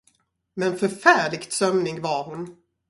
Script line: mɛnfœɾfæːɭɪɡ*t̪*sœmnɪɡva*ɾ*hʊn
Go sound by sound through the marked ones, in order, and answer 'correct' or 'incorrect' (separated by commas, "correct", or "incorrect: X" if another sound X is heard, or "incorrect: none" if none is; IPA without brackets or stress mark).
correct, correct